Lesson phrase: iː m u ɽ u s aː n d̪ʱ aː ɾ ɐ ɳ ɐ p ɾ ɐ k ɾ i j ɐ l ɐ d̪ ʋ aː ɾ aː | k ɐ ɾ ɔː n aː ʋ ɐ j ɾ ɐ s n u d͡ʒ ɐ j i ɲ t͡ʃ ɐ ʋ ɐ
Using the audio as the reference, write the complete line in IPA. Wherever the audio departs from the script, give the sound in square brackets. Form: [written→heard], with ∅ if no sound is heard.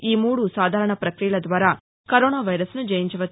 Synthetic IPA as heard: iː m [u→uː] ɽ u s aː [n→∅] d̪ʱ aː ɾ ɐ ɳ ɐ p ɾ ɐ k ɾ i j ɐ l ɐ d̪ ʋ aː ɾ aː | k ɐ ɾ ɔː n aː ʋ ɐ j ɾ ɐ s n u d͡ʒ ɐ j i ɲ t͡ʃ ɐ ʋ ɐ